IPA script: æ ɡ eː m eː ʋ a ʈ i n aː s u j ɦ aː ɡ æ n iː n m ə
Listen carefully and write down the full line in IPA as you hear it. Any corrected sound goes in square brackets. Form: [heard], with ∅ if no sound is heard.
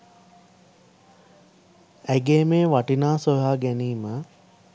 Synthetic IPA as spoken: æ ɡ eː m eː ʋ a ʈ i n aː s [o] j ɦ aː ɡ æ n iː [∅] m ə

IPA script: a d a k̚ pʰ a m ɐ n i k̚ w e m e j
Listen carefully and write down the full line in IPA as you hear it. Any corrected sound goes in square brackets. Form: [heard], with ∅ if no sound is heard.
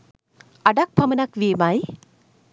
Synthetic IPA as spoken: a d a k̚ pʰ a m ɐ n [a] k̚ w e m [a] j

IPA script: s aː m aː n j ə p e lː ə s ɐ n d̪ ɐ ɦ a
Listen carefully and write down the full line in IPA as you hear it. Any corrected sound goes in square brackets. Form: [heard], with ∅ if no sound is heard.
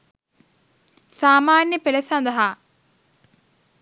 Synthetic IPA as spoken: s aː m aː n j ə p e [l] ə s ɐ n d̪ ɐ ɦ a

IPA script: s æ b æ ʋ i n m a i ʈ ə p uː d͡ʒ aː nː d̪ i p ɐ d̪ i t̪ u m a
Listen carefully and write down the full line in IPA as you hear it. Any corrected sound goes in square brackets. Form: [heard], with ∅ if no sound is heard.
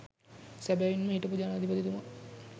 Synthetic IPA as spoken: s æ b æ ʋ i n m [ə] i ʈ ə p [u] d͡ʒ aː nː d̪ i p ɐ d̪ i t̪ u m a

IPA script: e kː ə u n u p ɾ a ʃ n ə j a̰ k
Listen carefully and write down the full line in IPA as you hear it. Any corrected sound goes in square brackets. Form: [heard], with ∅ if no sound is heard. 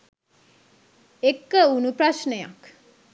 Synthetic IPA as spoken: e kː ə u n u p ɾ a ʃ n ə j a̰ k

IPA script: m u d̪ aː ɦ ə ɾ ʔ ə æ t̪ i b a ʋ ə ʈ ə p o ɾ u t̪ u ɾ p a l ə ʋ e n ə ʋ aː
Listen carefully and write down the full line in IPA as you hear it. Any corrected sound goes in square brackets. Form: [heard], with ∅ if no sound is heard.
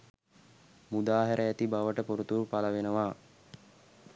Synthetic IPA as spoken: m u d̪ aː ɦ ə ɾ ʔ ə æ t̪ i b a ʋ ə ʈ ə p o ɾ u t̪ u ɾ p a l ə ʋ e n ə ʋ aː

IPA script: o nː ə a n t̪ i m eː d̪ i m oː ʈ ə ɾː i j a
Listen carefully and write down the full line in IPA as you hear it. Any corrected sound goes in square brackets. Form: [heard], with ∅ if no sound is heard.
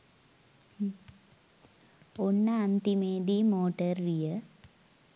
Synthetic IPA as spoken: o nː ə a n t̪ i m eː d̪ i m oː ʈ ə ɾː i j [ə]

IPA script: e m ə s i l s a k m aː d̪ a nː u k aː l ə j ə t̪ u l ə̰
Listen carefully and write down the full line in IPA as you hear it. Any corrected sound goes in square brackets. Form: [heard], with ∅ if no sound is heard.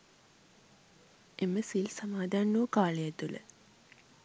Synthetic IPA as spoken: e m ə s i l s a [∅] m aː d̪ a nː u k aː l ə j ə t̪ u l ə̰

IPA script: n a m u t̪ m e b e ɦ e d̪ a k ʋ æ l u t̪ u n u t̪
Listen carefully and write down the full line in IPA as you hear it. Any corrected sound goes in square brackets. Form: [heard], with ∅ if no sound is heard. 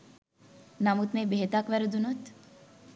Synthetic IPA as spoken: n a m u t̪ m e b e ɦ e [t̪] a k ʋ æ [ɾ] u [d̪] u n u t̪

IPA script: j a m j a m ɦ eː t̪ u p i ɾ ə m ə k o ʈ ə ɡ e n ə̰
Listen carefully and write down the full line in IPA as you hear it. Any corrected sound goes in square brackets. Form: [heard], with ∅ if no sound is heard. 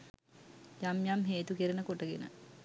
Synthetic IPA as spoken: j a m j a m ɦ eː t̪ u [k] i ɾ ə [n] ə k o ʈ ə ɡ e n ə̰

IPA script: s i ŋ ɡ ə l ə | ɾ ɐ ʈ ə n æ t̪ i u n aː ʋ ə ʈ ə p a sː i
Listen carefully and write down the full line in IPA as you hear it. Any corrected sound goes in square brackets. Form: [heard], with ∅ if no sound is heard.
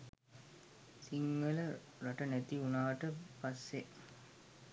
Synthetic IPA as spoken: s i ŋ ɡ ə l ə | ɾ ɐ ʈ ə n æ t̪ i u n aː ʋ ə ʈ ə p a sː [e]

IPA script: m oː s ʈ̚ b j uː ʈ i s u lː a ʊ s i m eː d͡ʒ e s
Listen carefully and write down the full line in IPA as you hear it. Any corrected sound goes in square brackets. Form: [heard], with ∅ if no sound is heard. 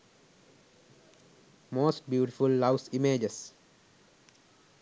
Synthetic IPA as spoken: m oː s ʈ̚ b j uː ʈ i [f] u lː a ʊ s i m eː d͡ʒ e s

